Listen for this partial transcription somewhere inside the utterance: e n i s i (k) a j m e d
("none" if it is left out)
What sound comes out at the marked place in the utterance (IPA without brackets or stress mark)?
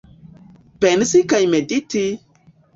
k